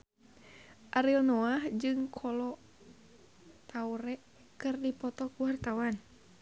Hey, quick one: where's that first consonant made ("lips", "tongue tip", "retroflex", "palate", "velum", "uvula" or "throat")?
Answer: throat